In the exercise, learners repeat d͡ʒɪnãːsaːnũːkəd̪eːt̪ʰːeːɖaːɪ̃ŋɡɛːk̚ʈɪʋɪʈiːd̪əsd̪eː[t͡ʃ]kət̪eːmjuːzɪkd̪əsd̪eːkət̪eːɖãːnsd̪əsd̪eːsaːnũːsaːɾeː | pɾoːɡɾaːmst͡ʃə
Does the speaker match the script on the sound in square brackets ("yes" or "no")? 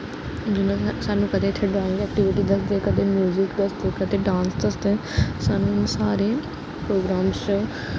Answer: no